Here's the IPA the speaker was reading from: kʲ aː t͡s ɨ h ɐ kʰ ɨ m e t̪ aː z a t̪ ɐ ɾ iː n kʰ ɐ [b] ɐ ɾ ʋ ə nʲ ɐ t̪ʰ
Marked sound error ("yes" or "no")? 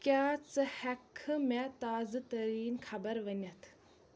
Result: no